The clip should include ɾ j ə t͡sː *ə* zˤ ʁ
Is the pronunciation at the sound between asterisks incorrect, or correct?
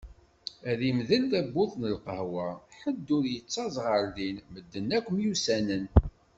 incorrect